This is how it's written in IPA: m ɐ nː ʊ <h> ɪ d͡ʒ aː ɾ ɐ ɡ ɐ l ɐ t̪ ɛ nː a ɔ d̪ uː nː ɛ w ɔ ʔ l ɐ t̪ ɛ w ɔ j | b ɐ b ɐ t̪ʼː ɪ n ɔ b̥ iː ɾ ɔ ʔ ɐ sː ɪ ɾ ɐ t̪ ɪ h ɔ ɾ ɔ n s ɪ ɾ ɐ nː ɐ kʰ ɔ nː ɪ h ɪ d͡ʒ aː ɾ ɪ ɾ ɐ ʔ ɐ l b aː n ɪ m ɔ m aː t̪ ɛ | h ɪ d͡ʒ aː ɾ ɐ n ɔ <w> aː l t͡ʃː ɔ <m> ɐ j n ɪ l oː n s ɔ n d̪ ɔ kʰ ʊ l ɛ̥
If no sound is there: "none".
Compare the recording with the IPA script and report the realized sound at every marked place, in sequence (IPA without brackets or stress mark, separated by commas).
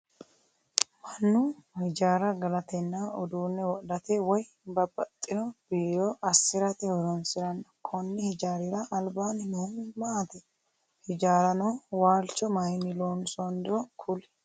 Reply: h, w, m